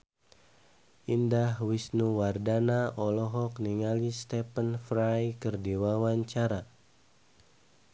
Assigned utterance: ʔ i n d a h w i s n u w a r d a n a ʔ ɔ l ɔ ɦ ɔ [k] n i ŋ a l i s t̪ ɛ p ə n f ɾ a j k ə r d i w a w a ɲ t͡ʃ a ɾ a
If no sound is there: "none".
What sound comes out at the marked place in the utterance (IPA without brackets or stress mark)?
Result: k